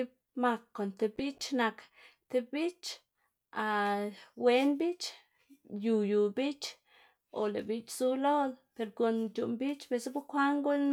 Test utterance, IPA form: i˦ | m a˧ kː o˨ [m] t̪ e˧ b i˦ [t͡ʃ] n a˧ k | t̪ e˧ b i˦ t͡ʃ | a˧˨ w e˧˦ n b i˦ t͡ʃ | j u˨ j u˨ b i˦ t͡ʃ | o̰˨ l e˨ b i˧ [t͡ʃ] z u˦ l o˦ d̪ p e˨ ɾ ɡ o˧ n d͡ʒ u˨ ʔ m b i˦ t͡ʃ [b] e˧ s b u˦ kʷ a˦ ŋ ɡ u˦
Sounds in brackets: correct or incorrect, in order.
incorrect: n, correct, correct, correct

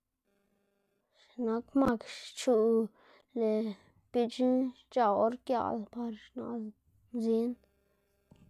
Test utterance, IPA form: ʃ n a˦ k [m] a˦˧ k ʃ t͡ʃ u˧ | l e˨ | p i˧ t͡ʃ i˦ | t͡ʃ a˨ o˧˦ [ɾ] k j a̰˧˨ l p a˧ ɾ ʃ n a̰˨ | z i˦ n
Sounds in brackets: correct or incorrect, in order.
correct, correct

